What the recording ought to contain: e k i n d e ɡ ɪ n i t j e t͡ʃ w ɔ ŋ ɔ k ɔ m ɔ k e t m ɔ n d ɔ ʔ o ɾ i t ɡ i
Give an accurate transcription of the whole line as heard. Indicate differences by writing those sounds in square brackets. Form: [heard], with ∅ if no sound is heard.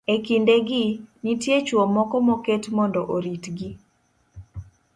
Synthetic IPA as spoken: e k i n d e ɡ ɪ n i t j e t͡ʃ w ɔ [m] ɔ k ɔ m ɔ k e t m ɔ n d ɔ ʔ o ɾ i t ɡ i